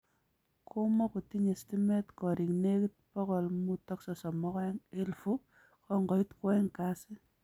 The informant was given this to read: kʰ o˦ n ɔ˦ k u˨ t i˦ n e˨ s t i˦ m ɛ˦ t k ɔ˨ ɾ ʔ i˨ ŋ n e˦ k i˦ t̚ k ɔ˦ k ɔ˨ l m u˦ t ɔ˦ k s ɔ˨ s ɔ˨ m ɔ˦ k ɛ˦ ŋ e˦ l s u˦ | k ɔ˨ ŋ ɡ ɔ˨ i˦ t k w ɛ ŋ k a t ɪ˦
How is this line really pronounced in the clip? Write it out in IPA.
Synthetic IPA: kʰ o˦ m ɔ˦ k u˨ t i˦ ɲ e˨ s t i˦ m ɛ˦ t k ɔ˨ ɾ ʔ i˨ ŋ n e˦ k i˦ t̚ p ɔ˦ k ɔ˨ l m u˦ t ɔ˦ k s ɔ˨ s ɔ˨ m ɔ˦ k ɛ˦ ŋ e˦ l f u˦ | k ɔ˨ ŋ ɡ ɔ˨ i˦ t k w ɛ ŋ k a s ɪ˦